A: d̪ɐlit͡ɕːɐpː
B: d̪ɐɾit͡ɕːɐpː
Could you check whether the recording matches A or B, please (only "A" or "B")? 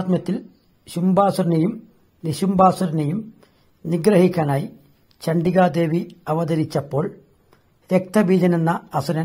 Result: B